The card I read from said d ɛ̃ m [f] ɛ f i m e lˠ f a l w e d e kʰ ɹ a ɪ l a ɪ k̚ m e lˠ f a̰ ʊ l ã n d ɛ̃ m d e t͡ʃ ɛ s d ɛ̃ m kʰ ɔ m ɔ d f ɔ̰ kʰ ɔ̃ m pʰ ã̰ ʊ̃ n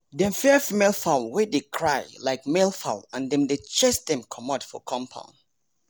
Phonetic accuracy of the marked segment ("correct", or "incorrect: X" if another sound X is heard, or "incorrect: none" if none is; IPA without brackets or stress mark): correct